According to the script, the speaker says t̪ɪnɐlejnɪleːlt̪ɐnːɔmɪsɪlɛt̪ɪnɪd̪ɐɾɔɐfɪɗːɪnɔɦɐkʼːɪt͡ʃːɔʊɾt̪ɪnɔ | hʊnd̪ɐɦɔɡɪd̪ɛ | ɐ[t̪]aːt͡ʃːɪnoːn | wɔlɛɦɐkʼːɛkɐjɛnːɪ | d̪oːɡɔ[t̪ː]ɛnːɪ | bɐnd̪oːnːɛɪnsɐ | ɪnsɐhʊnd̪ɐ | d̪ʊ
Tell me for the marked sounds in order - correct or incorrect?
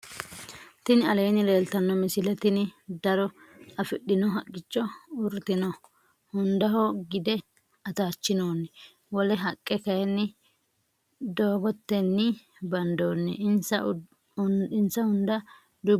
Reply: correct, correct

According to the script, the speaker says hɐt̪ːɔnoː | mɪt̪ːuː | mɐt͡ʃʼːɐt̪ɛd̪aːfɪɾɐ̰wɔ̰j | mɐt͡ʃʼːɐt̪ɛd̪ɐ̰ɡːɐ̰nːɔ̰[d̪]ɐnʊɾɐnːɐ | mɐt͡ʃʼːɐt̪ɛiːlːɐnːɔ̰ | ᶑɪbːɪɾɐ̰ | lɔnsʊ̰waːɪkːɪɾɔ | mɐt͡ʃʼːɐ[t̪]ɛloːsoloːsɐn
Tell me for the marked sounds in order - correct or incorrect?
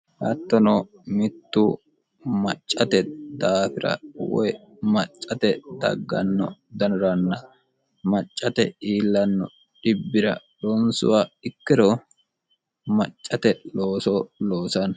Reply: correct, correct

